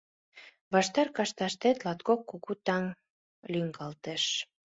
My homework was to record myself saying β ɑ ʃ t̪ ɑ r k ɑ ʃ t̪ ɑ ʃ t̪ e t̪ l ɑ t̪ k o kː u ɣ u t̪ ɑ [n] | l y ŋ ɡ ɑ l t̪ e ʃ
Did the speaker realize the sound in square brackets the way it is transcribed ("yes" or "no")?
no